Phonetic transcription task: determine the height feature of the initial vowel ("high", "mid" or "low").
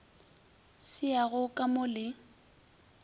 high